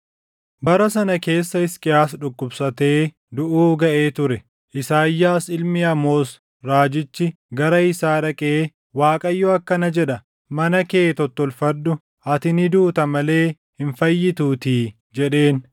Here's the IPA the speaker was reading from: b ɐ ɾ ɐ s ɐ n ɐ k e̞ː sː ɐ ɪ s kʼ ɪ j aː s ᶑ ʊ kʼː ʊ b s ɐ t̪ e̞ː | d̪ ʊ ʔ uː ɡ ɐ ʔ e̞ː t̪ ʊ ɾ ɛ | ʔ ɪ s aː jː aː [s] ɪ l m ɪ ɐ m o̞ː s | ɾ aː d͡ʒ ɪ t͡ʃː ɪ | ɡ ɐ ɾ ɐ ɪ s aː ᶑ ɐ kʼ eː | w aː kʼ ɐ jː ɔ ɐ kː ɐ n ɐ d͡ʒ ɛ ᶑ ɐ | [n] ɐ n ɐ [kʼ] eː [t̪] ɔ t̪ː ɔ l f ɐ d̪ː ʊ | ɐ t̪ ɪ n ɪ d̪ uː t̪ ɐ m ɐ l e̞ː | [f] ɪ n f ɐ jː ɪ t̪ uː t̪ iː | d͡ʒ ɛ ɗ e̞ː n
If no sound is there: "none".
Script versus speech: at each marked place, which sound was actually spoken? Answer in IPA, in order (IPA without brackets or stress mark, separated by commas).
s, m, k, t̪, h